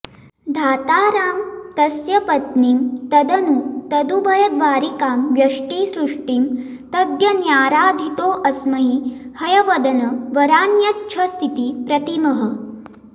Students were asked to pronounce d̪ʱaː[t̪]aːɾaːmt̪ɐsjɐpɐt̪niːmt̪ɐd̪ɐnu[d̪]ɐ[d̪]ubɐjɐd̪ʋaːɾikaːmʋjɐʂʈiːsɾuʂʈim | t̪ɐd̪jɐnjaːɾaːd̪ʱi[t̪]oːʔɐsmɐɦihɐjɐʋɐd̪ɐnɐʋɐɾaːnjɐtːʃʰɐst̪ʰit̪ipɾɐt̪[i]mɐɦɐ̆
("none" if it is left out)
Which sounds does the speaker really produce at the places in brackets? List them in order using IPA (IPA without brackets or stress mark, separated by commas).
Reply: t̪, t̪, d̪, t̪, i